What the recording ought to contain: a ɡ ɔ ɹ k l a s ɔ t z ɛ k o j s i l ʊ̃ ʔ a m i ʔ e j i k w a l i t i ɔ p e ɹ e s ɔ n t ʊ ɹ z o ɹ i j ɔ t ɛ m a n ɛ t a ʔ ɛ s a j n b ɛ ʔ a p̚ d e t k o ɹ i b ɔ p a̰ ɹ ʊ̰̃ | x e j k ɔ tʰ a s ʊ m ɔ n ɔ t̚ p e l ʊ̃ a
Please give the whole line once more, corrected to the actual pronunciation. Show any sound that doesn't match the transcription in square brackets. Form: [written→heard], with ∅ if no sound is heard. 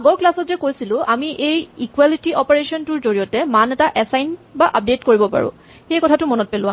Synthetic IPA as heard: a ɡ ɔ ɹ k l a s ɔ t z ɛ k o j s i l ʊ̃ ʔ a m i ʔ e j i k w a l i t i ɔ p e ɹ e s ɔ n t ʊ ɹ z o ɹ i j ɔ t ɛ m a n ɛ t a ʔ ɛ s a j n b [ɛ→a] ʔ a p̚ d e t k o ɹ i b ɔ p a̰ ɹ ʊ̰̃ | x e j k ɔ tʰ a [s→t] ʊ m ɔ n ɔ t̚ p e l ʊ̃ a